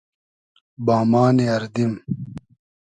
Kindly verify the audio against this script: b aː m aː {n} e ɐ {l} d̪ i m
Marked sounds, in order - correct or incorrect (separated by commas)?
correct, incorrect